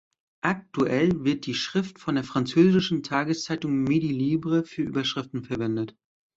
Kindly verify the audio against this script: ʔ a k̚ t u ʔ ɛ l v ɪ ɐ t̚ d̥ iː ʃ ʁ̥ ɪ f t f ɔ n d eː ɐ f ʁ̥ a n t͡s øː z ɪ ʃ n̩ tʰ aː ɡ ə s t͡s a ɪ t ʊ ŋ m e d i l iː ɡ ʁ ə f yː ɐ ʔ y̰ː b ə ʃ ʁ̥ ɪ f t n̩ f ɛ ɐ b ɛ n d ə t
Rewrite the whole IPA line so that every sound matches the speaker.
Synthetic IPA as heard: ʔ a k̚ t u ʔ ɛ l v ɪ ɐ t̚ d̥ iː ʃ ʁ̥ ɪ f t f ɔ n d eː ɐ f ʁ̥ a n t͡s øː z ɪ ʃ n̩ tʰ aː ɡ ə s t͡s a ɪ t ʊ ŋ m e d i l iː b ʁ ə f yː ɐ ʔ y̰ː b ɐ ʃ ʁ̥ ɪ f t n̩ f ɛ ɐ v ɛ n d ə t